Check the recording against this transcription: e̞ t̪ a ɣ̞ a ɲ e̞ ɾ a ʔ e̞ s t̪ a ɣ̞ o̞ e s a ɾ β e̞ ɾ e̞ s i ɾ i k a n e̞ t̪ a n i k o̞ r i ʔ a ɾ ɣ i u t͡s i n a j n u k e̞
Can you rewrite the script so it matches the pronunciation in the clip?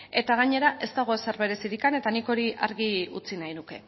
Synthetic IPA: e̞ t̪ a ɣ̞ a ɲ e̞ ɾ a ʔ e̞ s t̪ a ɣ̞ o̞ e s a ɾ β e̞ ɾ e̞ s i ɾ i k a n e̞ t̪ a n i k o̞ ɾ i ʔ a ɾ ɣ i u t͡s i n a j n u k e̞